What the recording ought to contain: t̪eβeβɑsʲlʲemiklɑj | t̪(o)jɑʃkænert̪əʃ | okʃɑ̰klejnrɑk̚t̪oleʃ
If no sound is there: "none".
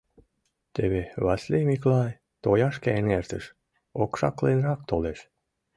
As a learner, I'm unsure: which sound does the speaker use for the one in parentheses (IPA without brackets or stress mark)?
o